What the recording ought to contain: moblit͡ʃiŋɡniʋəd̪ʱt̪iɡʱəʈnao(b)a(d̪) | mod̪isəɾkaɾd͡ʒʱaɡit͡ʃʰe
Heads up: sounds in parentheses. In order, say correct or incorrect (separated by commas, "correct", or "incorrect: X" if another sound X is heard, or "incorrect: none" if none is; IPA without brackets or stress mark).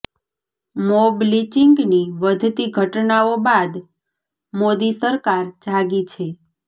correct, correct